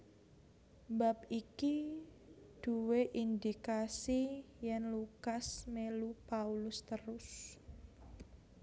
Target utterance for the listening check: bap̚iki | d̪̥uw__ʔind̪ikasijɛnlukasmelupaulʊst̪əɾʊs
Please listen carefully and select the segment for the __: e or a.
e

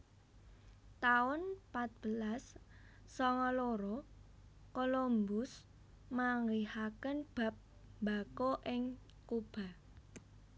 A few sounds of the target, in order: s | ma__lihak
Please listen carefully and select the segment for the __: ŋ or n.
ŋ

